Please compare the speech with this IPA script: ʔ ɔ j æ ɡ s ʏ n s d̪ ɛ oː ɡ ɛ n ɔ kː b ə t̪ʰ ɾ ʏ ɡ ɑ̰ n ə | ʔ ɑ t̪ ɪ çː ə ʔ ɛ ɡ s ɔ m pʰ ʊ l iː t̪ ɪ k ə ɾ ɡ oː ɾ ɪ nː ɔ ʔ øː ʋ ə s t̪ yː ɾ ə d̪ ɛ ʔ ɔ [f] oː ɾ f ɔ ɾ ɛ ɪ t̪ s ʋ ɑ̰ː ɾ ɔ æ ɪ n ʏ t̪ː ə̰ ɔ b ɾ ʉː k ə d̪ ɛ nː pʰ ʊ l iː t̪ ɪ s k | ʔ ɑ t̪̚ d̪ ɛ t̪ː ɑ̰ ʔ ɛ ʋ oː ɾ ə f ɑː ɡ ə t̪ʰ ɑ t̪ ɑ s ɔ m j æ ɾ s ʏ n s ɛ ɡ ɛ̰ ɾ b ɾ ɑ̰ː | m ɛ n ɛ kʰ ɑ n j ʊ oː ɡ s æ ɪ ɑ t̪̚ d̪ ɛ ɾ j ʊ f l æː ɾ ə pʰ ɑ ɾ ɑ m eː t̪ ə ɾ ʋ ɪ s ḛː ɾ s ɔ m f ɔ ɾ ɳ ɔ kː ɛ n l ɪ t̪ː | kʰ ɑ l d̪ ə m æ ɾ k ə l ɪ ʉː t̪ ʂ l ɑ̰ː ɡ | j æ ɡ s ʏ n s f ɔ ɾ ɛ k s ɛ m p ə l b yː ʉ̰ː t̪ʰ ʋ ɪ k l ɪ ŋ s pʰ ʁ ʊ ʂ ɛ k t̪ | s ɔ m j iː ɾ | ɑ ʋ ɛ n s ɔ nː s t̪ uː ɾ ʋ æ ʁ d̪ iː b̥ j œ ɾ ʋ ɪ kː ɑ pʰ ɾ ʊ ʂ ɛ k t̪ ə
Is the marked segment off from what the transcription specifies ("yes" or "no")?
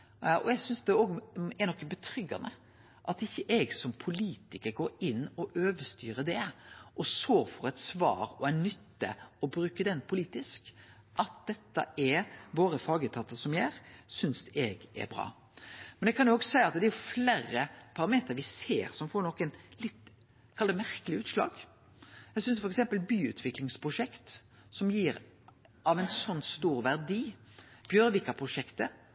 yes